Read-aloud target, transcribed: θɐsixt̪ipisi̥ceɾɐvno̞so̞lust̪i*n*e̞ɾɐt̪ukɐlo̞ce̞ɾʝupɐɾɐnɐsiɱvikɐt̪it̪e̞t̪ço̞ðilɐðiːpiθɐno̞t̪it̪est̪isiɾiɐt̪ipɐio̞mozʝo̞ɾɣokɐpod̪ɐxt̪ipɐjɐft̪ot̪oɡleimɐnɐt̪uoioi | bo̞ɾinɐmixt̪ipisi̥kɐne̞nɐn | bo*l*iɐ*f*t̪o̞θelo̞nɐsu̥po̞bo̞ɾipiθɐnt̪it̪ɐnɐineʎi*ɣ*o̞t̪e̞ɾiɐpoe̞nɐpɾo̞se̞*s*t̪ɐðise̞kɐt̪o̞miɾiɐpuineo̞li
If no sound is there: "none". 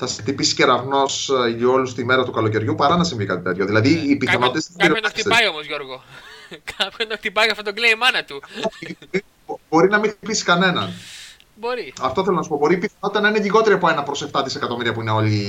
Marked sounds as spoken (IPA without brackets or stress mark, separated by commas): m, ɾ, f, ɣ, f